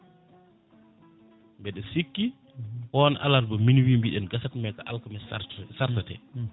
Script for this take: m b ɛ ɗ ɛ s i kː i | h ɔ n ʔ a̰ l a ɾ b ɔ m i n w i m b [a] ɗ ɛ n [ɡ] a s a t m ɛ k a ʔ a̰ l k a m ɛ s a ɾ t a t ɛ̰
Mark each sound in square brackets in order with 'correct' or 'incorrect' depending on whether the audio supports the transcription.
incorrect, correct

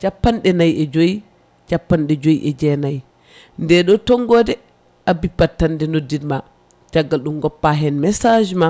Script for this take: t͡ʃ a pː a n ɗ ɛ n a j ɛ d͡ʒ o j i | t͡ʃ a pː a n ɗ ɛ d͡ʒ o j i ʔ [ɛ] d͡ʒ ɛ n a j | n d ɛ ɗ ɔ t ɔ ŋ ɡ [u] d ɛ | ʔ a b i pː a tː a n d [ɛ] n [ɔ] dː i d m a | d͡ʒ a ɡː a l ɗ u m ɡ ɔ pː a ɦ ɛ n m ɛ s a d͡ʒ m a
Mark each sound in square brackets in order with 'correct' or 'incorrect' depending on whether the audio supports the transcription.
correct, incorrect, correct, incorrect

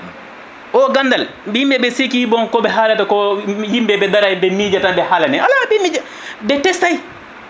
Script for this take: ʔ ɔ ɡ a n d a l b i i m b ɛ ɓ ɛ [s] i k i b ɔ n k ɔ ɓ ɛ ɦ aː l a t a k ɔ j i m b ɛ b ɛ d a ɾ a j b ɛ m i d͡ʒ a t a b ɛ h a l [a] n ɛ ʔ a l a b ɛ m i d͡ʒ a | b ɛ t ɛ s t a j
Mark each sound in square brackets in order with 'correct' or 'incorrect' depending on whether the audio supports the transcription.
correct, correct

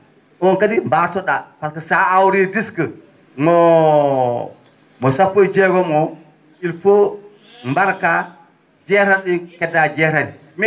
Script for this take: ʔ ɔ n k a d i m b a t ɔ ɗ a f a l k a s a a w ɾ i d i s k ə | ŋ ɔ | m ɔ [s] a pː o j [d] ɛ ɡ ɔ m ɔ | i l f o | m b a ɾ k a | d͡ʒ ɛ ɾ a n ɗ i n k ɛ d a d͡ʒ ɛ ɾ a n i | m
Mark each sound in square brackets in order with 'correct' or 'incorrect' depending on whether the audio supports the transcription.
correct, incorrect

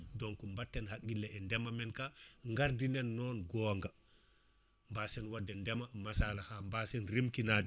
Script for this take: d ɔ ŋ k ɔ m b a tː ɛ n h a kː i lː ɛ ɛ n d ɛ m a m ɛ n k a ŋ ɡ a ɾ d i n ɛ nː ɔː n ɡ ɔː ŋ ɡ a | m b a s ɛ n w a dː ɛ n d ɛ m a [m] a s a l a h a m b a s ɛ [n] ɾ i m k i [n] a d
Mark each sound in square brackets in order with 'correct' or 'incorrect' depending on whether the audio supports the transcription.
correct, correct, correct

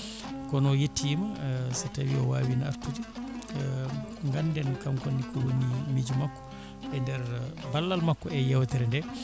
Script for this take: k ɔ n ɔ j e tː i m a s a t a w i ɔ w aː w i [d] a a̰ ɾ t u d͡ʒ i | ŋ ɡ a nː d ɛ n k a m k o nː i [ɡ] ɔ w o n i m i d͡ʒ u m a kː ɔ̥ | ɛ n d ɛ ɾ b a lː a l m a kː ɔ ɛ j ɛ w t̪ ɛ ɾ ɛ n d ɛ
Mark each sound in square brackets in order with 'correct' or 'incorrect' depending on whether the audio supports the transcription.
incorrect, incorrect

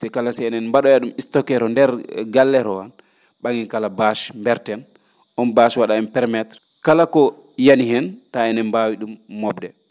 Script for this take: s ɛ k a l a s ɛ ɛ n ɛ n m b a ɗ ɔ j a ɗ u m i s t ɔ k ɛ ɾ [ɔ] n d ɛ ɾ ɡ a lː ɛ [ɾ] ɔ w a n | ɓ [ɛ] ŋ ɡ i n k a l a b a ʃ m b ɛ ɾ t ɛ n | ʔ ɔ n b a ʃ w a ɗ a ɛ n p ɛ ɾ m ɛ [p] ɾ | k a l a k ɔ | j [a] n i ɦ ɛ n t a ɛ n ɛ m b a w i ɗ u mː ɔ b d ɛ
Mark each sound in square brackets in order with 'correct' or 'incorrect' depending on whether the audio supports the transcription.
correct, correct, incorrect, incorrect, correct

